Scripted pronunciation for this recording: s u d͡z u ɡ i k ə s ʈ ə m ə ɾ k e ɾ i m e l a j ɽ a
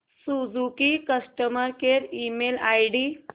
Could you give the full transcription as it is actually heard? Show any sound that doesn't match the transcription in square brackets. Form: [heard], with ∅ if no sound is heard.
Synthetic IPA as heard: s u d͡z u [k] i k ə s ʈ ə m ə ɾ k e ɾ i m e l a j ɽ [i]